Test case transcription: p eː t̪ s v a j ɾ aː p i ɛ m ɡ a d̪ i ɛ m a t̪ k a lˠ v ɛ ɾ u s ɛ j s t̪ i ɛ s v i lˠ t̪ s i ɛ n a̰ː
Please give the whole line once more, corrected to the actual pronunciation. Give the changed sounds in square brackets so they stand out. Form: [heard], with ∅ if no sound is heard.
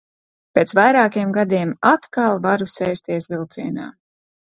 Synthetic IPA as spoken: p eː t̪ s v a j ɾ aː [k] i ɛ m ɡ a d̪ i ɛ m a t̪ k a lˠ v [a] ɾ u s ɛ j s t̪ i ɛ s v i lˠ t̪ s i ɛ n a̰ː